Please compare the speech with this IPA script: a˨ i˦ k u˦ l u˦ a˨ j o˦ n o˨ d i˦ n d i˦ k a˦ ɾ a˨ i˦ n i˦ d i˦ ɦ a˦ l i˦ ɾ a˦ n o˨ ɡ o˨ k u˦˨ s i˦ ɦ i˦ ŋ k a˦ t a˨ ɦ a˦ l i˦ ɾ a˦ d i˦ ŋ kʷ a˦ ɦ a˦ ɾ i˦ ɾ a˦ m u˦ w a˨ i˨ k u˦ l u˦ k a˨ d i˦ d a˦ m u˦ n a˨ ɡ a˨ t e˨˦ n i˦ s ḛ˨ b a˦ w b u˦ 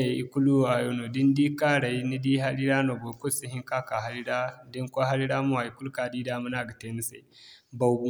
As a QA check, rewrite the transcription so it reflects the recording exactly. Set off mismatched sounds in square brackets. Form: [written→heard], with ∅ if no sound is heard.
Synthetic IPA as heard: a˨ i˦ k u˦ l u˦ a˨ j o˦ n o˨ d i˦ n d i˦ k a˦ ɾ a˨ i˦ n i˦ d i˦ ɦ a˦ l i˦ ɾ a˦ n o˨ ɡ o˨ k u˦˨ s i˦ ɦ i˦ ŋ k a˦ [t→k] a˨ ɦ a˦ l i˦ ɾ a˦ d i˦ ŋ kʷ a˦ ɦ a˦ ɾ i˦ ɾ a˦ m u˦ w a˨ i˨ k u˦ l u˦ k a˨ d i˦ d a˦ m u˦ n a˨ ɡ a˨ t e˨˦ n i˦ s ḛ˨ b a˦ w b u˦